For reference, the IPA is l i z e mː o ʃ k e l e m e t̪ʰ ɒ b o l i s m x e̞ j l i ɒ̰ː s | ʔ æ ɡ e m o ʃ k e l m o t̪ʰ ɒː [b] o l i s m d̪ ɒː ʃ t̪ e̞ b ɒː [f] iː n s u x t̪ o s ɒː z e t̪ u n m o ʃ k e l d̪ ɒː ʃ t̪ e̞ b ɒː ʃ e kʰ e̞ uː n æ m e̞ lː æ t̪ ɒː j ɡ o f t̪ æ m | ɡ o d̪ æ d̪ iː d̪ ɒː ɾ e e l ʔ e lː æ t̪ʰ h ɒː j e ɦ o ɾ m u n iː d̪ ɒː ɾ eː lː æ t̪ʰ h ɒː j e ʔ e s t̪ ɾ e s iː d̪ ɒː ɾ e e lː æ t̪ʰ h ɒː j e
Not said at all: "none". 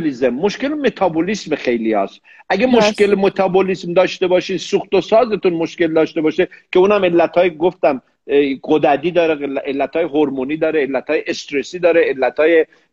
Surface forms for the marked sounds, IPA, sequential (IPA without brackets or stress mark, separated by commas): b, ʃ